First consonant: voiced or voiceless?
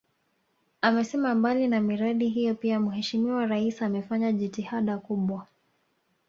voiced